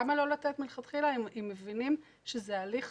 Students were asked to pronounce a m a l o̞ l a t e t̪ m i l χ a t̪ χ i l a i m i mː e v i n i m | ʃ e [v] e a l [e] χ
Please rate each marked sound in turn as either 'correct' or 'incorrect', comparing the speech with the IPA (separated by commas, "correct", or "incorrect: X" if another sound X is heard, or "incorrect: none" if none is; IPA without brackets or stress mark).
incorrect: z, incorrect: i